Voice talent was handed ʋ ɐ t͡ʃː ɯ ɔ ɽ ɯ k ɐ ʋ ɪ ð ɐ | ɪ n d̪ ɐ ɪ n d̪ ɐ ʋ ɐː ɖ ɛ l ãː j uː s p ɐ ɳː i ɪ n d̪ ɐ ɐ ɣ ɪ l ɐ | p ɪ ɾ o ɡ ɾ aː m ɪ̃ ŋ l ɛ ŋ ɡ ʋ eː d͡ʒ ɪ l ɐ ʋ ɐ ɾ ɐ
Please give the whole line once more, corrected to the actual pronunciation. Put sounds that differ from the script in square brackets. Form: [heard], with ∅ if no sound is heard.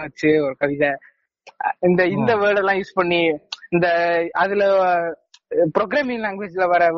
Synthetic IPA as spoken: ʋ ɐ t͡ʃː ɯ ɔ [ɾ] ɯ k ɐ ʋ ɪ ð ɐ | ɪ n d̪ ɐ ɪ n d̪ ɐ ʋ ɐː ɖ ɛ l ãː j uː s p ɐ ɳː i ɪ n d̪ ɐ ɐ [ð] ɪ l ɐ | p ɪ ɾ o ɡ ɾ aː m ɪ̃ ŋ l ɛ ŋ ɡ ʋ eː d͡ʒ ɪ l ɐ ʋ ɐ ɾ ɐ